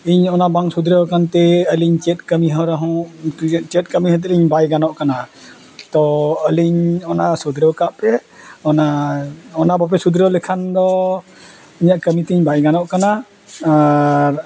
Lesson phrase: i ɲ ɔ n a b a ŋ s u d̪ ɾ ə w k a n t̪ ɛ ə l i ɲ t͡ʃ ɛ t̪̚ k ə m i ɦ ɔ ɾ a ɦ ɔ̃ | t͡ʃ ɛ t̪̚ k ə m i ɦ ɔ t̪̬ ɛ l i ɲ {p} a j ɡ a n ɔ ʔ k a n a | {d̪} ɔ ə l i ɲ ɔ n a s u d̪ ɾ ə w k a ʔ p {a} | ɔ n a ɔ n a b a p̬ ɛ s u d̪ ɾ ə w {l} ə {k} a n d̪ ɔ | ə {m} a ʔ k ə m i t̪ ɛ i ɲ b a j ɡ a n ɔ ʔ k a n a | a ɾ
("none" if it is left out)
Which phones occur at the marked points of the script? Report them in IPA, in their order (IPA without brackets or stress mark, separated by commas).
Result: b, t̪, ɛ, l, kʰ, ɲ